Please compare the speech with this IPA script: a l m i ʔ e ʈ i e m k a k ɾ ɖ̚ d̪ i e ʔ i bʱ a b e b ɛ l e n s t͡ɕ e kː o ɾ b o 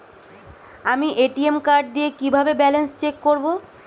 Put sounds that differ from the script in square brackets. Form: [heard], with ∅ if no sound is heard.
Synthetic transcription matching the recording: a [∅] m i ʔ e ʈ i e m k a [∅] ɾ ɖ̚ d̪ i e [k] i bʱ a b e b ɛ l e n s t͡ɕ e kː o ɾ b o